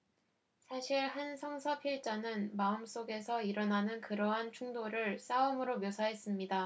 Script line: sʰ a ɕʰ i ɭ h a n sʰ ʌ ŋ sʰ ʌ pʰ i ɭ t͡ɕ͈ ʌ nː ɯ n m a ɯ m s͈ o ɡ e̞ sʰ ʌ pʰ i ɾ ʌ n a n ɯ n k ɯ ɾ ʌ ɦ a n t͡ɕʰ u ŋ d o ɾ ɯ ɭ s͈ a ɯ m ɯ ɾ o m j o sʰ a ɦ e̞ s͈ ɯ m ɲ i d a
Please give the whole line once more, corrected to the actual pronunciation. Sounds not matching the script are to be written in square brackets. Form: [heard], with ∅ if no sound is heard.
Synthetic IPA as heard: sʰ a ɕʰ i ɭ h a n sʰ ʌ ŋ sʰ ʌ pʰ i ɭ t͡ɕ͈ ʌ [n] ɯ n m a ɯ m s͈ o ɡ e̞ sʰ ʌ [∅] i ɾ ʌ n a n ɯ n k ɯ ɾ ʌ ɦ a n t͡ɕʰ u ŋ d o ɾ ɯ ɭ s͈ a ɯ m ɯ ɾ o m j o sʰ a ɦ e̞ s͈ ɯ m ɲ i d a